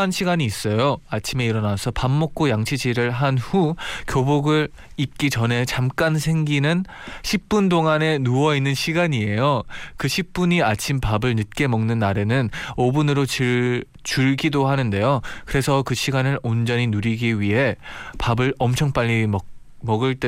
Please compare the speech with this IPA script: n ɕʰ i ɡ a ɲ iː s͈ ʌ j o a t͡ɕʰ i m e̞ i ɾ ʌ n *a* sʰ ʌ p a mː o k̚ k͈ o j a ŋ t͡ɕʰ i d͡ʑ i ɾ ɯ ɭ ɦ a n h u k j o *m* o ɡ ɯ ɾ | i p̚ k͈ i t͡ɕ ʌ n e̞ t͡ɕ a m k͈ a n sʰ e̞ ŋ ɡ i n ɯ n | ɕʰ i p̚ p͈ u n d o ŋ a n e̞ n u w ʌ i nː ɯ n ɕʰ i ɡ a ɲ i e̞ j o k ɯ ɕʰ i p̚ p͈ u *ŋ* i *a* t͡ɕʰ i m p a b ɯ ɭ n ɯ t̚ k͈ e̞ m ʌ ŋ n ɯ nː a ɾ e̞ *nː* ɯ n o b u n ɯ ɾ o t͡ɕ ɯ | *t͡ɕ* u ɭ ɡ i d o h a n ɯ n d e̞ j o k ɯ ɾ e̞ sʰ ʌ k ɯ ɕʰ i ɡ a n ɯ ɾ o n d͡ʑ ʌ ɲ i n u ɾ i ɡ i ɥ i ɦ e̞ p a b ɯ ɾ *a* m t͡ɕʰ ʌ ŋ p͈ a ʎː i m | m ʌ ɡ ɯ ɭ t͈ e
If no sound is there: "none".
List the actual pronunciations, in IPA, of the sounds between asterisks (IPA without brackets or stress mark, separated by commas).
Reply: a, b, ɲ, a, n, t͡ɕ, ʌ